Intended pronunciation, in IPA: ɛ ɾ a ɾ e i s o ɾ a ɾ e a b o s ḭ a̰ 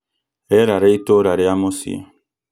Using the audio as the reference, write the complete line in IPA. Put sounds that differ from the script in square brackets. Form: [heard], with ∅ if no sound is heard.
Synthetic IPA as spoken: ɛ ɾ a ɾ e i [t] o ɾ a ɾ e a [m] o s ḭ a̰